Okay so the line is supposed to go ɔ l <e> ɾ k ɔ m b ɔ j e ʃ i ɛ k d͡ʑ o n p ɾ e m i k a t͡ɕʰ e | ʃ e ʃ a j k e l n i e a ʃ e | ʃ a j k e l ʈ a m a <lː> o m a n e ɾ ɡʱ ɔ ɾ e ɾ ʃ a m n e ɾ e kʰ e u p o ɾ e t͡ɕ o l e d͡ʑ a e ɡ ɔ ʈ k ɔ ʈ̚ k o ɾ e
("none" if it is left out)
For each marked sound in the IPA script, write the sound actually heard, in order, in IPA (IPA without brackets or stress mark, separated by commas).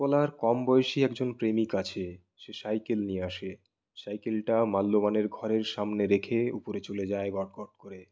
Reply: a, lː